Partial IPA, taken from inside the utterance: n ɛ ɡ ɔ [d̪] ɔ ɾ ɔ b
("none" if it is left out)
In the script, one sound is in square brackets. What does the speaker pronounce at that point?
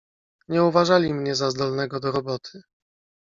d̪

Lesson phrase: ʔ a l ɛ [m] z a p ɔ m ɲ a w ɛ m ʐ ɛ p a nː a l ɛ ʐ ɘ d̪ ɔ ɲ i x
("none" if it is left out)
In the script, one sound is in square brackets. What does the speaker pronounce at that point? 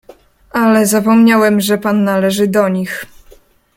none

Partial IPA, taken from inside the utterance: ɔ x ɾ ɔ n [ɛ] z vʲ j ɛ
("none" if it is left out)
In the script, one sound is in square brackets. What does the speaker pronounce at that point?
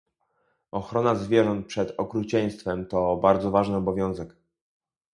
a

